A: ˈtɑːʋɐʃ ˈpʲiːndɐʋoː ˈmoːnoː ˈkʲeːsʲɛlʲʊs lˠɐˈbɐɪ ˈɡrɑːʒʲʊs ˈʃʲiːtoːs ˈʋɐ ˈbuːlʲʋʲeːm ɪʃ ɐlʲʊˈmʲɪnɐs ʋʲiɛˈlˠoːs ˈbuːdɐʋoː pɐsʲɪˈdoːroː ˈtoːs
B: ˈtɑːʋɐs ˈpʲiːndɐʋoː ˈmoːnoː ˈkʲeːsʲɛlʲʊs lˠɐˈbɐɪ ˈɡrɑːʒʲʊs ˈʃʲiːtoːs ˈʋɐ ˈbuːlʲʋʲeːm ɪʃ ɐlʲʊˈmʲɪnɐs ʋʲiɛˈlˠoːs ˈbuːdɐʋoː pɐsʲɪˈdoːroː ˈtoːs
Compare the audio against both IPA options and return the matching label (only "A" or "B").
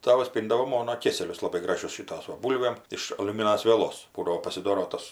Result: B